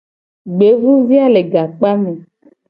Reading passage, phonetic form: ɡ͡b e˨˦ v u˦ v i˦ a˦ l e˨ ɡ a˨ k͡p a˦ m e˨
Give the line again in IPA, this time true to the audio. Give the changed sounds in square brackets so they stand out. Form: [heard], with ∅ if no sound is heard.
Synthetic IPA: ɡ͡b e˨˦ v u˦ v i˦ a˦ l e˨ ɡ a˨ k͡p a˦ m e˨

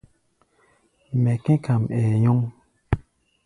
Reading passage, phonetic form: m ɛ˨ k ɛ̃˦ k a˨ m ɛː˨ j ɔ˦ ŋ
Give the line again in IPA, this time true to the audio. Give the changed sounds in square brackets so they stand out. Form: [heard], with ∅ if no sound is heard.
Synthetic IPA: m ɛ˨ k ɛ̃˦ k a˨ m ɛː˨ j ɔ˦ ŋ

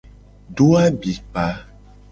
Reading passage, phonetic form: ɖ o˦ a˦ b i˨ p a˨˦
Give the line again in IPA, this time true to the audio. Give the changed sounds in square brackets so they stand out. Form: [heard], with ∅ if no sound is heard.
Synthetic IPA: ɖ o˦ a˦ b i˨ p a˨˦

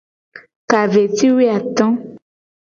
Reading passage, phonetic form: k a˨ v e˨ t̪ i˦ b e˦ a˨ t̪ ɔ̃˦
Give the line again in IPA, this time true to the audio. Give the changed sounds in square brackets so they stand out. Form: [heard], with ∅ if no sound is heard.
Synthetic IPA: k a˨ v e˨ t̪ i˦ [w] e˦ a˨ t̪ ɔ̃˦

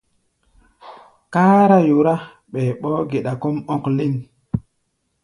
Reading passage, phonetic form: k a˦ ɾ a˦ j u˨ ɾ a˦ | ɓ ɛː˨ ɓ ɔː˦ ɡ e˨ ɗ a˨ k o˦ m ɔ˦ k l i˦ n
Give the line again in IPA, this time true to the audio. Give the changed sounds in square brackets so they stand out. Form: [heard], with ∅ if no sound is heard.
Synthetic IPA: k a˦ ɾ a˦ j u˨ ɾ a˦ | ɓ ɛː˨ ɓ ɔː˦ ɡ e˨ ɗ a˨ k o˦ m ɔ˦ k l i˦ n

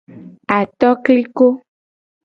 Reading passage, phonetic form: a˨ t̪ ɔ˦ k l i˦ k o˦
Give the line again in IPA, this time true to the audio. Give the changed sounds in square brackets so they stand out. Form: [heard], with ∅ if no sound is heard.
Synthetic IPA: a˨ t̪ ɔ˦ k l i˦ k o˦

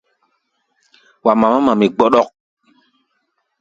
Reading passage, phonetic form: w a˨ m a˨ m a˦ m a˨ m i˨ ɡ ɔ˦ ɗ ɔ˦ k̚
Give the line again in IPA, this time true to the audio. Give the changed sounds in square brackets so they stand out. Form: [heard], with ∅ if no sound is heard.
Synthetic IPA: w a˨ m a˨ m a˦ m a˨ m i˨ [ɡ͡b] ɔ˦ ɗ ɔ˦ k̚

